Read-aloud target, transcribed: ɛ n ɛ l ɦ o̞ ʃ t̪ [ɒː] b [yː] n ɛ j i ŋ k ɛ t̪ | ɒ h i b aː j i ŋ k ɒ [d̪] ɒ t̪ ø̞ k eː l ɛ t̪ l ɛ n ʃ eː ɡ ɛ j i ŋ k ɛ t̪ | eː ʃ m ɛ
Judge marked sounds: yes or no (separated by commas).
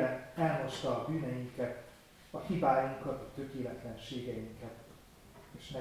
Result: yes, yes, no